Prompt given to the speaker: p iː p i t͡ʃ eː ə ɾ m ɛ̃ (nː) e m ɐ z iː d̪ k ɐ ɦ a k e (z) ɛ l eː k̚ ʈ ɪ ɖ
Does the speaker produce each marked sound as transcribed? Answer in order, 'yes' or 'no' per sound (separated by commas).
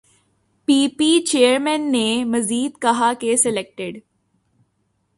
yes, no